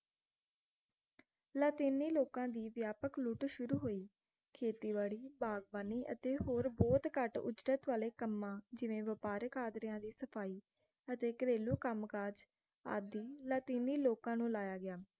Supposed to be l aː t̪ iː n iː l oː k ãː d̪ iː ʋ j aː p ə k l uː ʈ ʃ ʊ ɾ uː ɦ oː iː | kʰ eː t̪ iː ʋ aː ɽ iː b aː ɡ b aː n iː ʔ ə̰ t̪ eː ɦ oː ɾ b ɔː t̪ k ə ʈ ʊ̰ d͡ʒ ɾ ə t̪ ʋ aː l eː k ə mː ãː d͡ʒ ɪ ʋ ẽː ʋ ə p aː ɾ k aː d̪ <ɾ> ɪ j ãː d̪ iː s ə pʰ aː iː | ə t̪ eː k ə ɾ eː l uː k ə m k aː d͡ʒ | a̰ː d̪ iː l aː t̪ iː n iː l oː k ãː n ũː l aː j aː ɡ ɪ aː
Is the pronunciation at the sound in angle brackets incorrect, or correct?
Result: correct